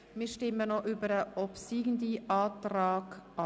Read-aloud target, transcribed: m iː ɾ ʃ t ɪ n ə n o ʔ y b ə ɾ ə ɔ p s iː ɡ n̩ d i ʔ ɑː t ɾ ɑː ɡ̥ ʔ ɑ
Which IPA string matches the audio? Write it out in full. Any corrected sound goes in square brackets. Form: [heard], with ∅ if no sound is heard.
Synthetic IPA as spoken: m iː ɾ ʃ t ɪ [m] ə n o ʔ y b ə ɾ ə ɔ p s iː ɡ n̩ d i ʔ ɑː t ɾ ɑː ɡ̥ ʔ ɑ